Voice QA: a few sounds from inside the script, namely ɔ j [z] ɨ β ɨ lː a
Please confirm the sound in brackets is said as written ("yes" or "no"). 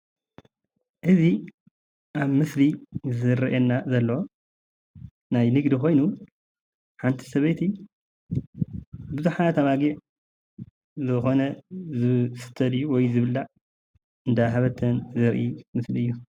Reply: yes